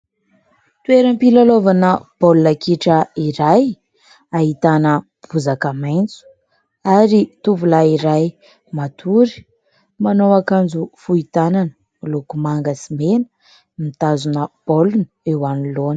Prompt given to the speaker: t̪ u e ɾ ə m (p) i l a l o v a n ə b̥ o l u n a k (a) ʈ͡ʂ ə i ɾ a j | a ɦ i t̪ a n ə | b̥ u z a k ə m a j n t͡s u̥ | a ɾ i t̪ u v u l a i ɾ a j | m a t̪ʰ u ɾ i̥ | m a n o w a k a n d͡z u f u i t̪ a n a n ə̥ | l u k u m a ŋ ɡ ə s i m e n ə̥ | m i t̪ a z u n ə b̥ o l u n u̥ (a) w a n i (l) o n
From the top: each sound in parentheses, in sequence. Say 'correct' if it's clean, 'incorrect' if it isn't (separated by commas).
correct, incorrect, incorrect, correct